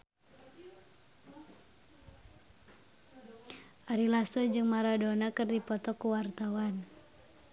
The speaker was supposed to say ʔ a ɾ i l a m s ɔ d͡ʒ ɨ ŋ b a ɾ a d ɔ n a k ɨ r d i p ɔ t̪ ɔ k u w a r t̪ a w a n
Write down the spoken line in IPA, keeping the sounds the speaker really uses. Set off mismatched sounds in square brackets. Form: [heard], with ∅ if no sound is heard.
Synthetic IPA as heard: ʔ a ɾ i l a [∅] s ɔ d͡ʒ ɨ ŋ [m] a ɾ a d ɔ n a k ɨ r d i p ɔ t̪ ɔ k u w a r t̪ a w a n